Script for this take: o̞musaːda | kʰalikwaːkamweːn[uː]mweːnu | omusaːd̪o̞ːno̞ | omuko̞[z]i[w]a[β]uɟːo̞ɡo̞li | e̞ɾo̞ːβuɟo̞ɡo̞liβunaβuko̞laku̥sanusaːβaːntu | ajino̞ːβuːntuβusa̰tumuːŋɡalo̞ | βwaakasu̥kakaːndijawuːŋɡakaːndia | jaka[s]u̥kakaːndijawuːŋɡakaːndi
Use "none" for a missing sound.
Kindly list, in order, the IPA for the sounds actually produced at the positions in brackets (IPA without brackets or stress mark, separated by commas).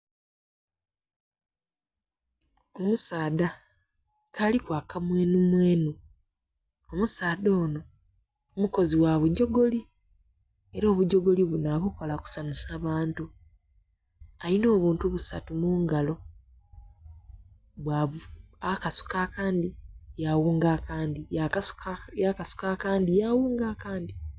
u, z, w, β, s